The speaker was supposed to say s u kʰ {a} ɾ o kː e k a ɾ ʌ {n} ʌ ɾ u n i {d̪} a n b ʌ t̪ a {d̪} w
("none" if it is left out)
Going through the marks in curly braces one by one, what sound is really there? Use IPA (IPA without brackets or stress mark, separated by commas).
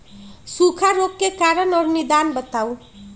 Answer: a, n, d̪, none